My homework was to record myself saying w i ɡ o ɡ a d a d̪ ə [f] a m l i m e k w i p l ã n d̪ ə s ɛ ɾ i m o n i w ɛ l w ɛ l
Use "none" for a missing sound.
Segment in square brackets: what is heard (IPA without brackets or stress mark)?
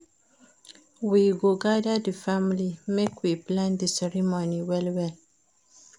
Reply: f